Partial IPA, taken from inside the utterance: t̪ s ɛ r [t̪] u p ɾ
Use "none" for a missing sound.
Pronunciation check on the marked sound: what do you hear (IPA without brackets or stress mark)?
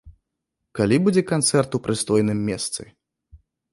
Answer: t̪